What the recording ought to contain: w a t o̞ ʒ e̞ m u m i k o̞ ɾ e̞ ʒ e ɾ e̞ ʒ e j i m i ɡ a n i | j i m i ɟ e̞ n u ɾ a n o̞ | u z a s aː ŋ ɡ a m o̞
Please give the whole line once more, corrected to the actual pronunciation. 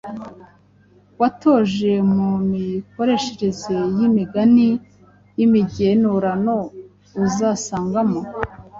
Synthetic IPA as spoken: w a t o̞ ʒ e̞ m u m i k o̞ ɾ e̞ ʃ e ɾ e̞ z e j i m i ɡ a n i | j i m i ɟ e̞ n u ɾ a n o̞ | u z a s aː ŋ ɡ a m o̞